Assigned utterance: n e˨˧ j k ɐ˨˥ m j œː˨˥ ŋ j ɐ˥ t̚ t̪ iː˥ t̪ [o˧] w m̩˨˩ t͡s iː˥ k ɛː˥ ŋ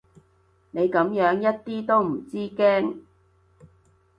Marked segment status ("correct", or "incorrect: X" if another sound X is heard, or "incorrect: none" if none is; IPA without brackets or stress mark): incorrect: o˥